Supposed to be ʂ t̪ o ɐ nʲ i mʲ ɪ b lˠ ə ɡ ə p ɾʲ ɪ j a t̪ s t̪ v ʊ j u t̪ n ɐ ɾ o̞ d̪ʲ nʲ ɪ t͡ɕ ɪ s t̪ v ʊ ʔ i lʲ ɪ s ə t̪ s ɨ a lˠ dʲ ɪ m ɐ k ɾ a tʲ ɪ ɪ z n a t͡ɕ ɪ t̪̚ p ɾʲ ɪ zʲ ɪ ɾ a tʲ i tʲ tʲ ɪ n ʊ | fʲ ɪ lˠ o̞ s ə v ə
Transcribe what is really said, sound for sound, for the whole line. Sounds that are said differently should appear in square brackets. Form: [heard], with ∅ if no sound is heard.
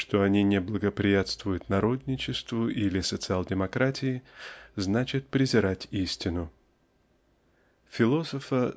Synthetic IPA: ʂ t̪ o ɐ nʲ i [nʲ] ɪ b lˠ ə ɡ ə p ɾʲ ɪ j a t̪ s t̪ v ʊ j [ʊ] t̪ n ɐ ɾ o̞ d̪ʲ nʲ ɪ t͡ɕ ɪ s t̪ v ʊ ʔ i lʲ ɪ s ə t̪ s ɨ a lˠ dʲ ɪ m ɐ k ɾ a tʲ ɪ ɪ z n a t͡ɕ ɪ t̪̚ p ɾʲ ɪ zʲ ɪ ɾ a tʲ i [sʲ] tʲ ɪ n ʊ | fʲ ɪ lˠ o̞ s ə [f] ə